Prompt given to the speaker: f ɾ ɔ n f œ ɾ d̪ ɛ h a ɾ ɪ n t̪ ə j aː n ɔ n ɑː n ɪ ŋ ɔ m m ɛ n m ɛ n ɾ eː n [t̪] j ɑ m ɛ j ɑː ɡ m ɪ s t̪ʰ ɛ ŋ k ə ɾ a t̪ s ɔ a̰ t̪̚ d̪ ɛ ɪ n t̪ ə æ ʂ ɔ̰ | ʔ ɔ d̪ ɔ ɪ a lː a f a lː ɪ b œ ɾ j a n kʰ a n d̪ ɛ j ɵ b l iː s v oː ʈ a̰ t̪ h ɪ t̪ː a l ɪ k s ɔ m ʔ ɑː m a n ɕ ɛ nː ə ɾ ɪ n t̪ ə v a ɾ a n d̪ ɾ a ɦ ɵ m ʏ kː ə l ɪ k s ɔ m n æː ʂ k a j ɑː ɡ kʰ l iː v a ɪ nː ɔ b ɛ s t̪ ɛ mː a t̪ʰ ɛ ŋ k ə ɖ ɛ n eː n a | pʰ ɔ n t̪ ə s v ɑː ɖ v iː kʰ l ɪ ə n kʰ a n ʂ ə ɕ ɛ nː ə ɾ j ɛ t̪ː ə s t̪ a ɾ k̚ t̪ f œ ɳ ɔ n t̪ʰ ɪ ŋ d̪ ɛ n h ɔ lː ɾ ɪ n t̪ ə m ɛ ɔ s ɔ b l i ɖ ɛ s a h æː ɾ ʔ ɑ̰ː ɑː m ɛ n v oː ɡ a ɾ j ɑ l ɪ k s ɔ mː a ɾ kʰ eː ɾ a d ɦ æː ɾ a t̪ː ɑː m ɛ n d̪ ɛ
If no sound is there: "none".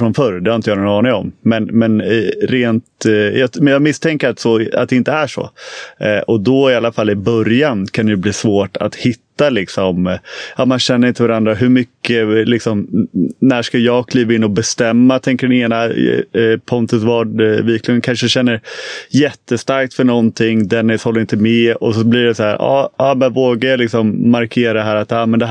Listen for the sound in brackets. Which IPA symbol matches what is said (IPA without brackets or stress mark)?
t̪